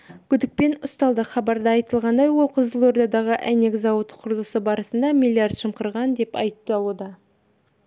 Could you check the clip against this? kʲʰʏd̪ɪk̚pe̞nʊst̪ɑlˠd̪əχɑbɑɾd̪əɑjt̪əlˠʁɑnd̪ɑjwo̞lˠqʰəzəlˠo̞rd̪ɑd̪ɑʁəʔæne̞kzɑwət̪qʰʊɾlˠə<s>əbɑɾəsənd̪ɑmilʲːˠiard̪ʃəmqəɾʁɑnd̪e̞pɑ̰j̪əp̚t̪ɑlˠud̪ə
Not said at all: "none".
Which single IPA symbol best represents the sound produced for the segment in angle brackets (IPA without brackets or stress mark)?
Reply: s